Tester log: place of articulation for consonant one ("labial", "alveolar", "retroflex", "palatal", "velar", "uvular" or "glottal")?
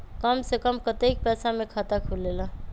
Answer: velar